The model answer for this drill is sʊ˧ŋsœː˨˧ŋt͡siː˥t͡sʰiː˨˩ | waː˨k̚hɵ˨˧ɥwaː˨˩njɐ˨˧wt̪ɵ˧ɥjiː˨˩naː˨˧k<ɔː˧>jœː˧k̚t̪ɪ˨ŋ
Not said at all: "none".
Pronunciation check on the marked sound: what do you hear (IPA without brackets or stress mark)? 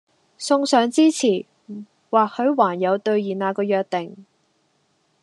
ɔː˧